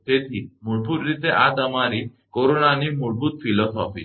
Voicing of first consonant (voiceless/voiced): voiceless